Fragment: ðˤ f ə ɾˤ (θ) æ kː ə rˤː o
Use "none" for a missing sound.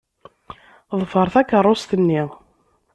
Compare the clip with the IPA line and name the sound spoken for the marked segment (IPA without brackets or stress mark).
θ